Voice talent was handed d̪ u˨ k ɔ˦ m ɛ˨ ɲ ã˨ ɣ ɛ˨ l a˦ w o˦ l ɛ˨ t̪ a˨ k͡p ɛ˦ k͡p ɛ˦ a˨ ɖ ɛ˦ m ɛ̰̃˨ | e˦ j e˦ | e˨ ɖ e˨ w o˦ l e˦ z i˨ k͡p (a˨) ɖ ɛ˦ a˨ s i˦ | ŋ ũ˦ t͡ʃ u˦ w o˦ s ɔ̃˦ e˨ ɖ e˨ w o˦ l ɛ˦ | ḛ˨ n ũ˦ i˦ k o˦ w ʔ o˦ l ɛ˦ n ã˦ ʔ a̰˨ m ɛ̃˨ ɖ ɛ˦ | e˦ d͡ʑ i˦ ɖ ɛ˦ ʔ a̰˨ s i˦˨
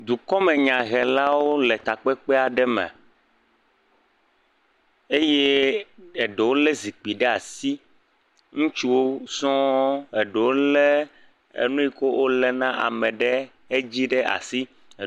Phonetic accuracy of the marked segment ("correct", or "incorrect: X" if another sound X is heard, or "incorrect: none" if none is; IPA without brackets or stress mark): incorrect: i˨